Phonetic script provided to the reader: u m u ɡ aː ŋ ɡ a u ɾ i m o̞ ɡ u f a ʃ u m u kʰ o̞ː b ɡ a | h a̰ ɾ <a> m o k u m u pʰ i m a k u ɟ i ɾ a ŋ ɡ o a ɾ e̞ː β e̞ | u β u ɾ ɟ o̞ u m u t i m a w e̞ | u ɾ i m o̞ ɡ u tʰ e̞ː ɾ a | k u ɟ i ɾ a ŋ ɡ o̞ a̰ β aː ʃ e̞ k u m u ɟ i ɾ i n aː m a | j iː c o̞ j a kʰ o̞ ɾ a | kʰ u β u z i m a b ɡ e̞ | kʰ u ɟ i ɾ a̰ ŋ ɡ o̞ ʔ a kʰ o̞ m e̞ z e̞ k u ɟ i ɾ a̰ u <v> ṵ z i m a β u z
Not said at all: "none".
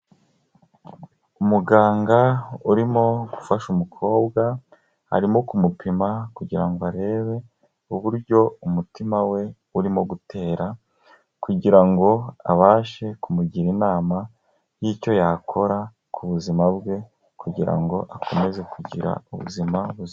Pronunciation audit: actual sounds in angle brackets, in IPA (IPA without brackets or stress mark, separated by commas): i, β